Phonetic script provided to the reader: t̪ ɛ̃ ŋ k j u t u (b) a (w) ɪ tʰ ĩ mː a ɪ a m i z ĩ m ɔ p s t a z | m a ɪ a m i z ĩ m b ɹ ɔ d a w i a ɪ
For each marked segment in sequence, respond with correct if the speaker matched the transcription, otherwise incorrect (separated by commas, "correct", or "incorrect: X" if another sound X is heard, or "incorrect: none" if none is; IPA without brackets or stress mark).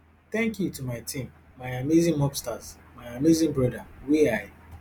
incorrect: m, incorrect: none